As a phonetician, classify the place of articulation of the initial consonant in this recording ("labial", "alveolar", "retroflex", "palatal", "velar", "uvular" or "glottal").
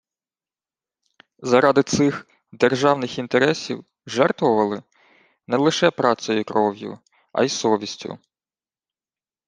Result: alveolar